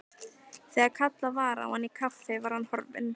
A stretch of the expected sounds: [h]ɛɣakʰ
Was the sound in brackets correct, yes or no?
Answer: no